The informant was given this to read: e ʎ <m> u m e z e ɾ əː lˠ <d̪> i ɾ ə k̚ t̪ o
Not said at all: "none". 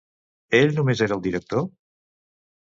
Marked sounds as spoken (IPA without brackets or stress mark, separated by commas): n, d̪